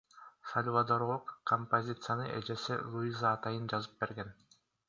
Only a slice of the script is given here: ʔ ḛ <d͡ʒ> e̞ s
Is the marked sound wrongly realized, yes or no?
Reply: no